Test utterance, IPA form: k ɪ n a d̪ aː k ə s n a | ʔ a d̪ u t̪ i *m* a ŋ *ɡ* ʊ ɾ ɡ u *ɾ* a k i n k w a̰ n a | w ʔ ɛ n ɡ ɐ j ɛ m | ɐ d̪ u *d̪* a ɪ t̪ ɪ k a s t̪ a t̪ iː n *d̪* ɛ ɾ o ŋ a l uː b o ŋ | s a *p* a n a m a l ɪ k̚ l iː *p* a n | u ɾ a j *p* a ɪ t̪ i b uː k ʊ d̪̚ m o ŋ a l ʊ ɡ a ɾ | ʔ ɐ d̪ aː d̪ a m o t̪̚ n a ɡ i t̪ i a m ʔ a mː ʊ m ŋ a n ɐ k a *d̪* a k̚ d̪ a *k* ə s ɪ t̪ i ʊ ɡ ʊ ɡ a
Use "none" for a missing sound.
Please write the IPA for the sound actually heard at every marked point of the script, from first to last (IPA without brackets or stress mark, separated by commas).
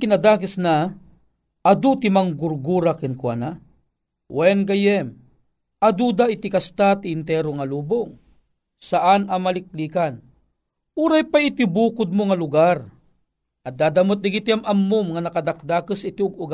m, ɡ, ɾ, d̪, t̪, ʔ, k, p, d̪, k